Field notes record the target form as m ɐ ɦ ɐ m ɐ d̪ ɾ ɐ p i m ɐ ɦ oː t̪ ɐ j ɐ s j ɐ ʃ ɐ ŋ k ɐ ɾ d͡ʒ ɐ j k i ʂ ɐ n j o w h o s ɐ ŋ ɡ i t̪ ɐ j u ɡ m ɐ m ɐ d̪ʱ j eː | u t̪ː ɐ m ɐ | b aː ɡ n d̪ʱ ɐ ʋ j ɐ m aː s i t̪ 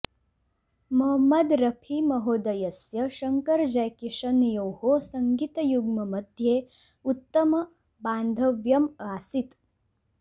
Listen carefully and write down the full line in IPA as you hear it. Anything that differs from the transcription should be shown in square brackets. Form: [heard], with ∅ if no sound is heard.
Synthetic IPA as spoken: m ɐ ɦ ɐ m ɐ d̪ ɾ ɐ [pʰ] i m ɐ ɦ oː [d̪] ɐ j ɐ s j ɐ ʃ ɐ ŋ k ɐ ɾ d͡ʒ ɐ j k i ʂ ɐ n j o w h o s ɐ ŋ ɡ i t̪ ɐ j u ɡ m ɐ m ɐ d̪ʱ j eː | u t̪ː ɐ m ɐ | b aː [∅] n d̪ʱ ɐ ʋ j ɐ m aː s i t̪